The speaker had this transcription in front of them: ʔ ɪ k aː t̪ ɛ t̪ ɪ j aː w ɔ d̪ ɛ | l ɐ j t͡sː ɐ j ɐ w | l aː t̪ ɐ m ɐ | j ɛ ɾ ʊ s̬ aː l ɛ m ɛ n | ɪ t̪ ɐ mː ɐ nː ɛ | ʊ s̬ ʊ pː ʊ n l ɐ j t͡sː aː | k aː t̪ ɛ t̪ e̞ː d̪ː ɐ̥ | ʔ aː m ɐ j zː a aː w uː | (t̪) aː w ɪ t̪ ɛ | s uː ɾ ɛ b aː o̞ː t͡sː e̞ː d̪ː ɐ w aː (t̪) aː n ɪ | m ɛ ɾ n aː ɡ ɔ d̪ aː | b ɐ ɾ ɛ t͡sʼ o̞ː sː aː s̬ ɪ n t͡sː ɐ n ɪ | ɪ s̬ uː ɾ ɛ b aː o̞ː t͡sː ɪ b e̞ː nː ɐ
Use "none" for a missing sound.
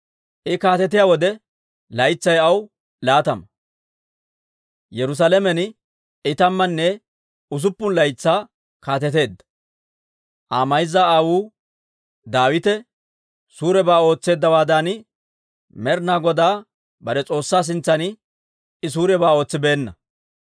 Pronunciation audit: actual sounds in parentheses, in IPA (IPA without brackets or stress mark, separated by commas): d̪, d̪